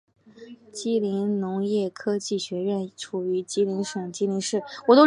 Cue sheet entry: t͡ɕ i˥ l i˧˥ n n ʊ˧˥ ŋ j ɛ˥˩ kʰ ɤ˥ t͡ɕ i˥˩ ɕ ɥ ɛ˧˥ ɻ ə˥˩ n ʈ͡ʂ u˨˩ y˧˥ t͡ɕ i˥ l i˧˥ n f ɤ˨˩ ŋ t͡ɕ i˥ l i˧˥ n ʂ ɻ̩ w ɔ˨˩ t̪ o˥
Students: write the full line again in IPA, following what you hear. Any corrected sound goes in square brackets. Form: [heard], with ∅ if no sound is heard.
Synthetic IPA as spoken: t͡ɕ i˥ l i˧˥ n n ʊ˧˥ ŋ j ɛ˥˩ kʰ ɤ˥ t͡ɕ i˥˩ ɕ ɥ ɛ˧˥ ɻ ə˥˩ n [ʈ͡ʂʰ] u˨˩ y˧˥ t͡ɕ i˥ l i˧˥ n [ʂ] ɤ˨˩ ŋ t͡ɕ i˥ l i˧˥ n ʂ ɻ̩ w ɔ˨˩ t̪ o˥